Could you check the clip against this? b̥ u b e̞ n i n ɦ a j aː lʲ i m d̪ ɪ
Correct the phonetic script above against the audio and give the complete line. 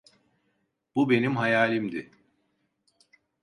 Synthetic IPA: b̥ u b e̞ n i m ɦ a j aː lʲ i m d̪ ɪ